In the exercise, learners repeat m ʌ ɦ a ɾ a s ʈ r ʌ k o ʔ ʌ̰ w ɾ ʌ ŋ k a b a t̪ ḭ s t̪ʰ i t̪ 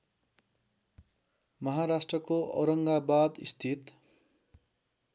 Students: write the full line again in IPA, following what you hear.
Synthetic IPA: m ʌ ɦ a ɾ a s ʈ r ʌ k o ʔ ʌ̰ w ɾ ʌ ŋ ɡ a b a d̪ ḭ s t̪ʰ i t̪